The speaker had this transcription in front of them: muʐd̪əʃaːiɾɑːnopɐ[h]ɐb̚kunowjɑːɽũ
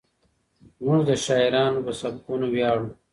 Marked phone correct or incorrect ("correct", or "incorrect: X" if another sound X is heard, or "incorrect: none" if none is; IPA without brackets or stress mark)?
incorrect: s